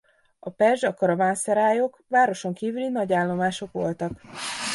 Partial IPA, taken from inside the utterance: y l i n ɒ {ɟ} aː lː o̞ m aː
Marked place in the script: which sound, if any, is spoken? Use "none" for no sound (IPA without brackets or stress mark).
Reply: ɟ